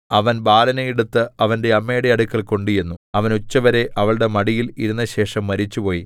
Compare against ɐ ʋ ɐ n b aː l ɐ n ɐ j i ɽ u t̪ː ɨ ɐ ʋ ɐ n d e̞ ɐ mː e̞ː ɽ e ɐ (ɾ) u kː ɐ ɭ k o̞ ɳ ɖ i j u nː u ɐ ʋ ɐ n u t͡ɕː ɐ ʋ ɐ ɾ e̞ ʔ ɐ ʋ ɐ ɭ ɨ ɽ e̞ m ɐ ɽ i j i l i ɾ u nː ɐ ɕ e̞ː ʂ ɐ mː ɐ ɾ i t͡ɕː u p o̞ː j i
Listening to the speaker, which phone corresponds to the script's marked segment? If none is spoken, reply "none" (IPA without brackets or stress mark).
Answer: ɽ